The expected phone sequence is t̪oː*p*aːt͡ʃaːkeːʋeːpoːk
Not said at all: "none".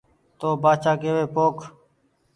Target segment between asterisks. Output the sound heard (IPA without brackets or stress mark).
b